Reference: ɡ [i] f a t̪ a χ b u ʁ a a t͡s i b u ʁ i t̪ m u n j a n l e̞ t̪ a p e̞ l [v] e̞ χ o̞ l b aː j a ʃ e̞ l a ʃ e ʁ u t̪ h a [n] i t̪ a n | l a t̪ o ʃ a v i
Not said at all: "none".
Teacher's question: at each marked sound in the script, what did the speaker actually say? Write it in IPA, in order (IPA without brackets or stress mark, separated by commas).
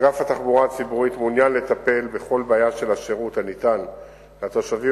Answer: a, b, n